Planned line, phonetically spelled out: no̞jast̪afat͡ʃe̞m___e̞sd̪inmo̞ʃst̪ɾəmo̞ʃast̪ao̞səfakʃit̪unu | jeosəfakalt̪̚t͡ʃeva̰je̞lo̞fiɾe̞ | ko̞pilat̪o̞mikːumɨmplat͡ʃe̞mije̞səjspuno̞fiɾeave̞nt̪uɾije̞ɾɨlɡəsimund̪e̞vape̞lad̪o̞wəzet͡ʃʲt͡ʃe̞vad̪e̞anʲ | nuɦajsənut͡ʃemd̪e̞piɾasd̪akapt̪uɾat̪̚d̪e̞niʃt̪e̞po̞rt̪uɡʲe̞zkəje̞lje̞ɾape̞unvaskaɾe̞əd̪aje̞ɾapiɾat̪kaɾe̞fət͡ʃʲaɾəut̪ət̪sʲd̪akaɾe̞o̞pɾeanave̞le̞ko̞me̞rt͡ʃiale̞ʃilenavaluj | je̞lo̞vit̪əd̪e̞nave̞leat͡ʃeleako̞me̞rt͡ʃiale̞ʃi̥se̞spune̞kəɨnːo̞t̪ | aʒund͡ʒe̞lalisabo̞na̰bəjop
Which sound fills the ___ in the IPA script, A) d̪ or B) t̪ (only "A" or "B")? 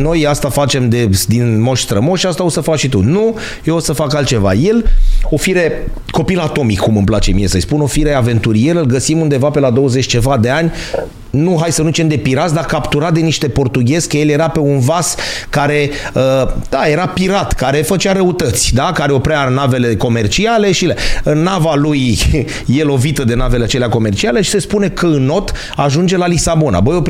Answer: A